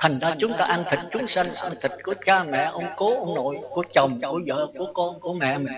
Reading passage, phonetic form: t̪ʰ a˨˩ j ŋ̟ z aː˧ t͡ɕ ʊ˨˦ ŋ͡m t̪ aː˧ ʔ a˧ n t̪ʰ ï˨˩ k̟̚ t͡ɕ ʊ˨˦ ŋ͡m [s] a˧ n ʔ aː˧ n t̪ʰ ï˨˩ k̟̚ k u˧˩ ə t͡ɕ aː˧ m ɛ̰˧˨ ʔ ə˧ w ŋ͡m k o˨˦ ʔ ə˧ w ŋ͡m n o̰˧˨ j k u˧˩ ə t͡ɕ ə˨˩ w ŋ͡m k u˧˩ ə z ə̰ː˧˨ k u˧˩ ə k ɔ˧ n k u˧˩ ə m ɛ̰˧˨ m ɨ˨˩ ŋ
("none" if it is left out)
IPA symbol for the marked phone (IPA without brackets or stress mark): s